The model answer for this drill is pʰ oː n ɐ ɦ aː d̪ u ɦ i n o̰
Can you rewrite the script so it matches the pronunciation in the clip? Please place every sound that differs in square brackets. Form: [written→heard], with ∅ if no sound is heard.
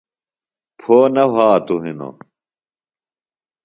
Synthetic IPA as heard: pʰ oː n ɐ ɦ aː [d̪→t̪] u ɦ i n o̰